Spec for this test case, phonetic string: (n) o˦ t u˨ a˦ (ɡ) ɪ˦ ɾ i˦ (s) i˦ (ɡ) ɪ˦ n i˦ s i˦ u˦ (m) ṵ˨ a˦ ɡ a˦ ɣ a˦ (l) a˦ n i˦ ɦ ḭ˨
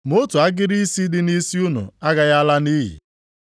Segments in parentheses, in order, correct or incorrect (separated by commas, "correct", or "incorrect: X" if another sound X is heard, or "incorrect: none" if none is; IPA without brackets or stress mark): incorrect: m, correct, correct, incorrect: d, incorrect: n, correct